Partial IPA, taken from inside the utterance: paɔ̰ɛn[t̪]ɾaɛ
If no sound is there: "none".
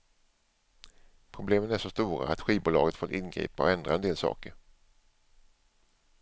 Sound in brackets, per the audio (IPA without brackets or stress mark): d̪